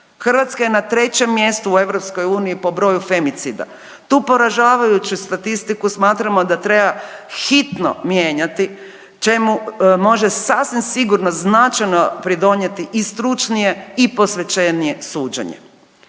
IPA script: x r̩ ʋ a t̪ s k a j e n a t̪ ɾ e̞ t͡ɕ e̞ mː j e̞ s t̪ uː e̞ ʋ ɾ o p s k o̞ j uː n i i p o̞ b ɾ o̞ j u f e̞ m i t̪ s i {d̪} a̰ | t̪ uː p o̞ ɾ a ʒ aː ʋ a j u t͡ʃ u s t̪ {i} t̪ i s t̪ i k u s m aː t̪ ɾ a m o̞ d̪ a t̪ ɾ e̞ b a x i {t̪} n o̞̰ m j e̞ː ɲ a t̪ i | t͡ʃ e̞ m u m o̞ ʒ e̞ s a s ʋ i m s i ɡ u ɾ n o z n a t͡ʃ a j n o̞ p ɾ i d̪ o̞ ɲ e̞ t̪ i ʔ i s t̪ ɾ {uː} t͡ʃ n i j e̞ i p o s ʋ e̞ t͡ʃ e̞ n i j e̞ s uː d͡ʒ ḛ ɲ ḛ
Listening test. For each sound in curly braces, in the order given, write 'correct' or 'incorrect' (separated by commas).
correct, incorrect, correct, incorrect